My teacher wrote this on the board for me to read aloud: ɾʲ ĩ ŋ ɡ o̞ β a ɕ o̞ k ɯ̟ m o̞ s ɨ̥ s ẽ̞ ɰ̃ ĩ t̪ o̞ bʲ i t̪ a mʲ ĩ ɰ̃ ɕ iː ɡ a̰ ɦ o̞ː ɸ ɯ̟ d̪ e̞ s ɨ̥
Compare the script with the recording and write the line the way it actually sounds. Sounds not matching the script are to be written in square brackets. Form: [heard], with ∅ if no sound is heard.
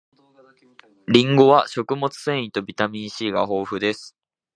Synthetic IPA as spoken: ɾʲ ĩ ŋ ɡ o̞ β a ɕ o̞ k ɯ̟ m o̞ [t͡s] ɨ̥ s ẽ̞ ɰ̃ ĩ t̪ o̞ bʲ i t̪ a mʲ ĩ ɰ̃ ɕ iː ɡ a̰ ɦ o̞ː ɸ ɯ̟ d̪ e̞ s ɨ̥

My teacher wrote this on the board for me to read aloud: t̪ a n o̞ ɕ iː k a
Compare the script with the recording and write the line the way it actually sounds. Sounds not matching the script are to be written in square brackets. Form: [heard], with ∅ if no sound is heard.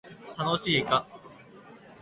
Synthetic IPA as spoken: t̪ a n o̞ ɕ iː k a

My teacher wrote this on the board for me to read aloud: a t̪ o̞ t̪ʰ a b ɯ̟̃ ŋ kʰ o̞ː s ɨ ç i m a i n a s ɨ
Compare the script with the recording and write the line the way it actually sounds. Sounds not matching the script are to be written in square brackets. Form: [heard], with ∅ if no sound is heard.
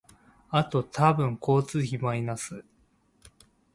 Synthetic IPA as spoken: a t̪ o̞ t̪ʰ a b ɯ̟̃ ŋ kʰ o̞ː [t͡s] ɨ ç i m a i n a s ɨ

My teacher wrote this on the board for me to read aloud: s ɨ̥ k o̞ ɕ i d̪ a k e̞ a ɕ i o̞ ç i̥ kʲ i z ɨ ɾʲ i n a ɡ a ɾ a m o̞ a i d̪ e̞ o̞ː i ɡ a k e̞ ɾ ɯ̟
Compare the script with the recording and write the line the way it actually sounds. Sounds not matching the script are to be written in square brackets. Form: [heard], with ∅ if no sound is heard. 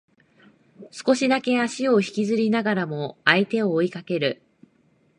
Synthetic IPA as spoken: s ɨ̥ k o̞ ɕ i d̪ a k e̞ a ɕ i o̞ ç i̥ kʲ i z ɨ ɾʲ i n a ɡ a ɾ a m o̞ a i [t̪] e̞ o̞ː i [k] a k e̞ ɾ ɯ̟

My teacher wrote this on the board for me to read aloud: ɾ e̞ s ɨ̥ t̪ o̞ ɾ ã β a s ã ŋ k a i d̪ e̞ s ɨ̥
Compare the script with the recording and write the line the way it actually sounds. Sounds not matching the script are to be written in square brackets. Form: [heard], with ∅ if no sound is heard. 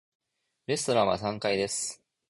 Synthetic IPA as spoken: ɾ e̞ s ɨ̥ t̪ o̞ ɾ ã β a s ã ŋ k a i d̪ e̞ s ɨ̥

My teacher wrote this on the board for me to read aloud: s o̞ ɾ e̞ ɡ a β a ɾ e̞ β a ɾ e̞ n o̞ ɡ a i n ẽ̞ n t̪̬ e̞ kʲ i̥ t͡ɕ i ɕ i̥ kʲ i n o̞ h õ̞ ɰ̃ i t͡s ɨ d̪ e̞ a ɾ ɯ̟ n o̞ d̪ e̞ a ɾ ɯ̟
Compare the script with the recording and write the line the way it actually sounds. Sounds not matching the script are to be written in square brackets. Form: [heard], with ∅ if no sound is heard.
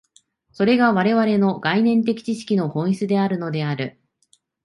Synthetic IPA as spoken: s o̞ ɾ e̞ ɡ a β a ɾ e̞ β a ɾ e̞ n o̞ ɡ a i n ẽ̞ n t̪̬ e̞ kʲ i̥ t͡ɕ i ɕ i̥ kʲ i n o̞ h õ̞ ɰ̃ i t͡s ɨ d̪ e̞ a ɾ ɯ̟ n o̞ d̪ e̞ a ɾ ɯ̟

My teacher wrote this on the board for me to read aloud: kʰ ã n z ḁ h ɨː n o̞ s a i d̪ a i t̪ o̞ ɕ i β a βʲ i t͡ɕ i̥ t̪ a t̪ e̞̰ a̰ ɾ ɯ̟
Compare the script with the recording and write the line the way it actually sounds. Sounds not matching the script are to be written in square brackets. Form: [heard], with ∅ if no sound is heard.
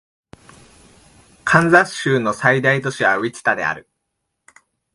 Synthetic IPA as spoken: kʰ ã n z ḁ [ɕ] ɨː n o̞ s a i d̪ a i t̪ o̞ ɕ i β a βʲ i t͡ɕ i̥ t̪ a [d̪] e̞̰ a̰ ɾ ɯ̟

